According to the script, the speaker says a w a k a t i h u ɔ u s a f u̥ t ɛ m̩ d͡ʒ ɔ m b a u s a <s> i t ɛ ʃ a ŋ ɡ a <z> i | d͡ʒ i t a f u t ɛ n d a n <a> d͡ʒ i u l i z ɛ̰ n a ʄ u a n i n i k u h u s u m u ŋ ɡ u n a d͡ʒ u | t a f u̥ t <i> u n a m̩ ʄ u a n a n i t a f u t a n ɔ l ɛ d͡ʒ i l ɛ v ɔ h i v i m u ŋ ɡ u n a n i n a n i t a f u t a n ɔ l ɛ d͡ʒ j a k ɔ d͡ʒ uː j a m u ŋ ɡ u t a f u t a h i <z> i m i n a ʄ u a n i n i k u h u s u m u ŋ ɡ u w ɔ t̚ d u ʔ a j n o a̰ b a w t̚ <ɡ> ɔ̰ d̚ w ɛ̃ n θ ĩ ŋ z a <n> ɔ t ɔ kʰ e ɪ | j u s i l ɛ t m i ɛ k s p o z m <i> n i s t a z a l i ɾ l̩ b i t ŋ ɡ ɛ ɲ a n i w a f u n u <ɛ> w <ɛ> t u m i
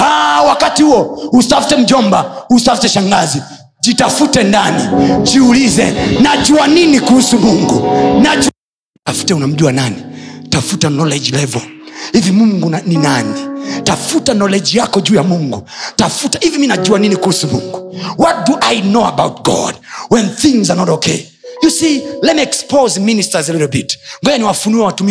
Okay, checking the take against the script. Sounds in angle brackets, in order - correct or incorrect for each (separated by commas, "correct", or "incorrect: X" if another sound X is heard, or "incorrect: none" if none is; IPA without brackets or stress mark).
incorrect: f, correct, incorrect: i, incorrect: ɛ, incorrect: v, correct, correct, correct, correct, incorrect: a